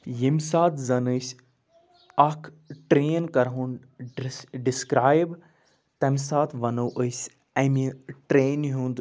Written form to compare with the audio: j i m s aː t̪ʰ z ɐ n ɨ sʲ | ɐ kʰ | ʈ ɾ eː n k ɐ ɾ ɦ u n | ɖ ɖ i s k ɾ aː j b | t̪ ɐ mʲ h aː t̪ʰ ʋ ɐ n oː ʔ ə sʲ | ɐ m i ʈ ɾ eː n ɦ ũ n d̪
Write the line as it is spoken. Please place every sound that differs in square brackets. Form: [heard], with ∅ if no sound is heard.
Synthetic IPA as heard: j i m s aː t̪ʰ z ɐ n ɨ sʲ | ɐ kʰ | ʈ ɾ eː n k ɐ ɾ ɦ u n | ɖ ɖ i s k ɾ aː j b | t̪ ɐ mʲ [s] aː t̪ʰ ʋ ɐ n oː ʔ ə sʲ | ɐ m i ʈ ɾ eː n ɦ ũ n d̪